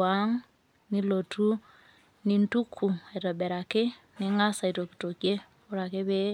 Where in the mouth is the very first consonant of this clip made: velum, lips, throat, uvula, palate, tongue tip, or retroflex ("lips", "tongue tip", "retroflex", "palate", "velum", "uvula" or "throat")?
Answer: velum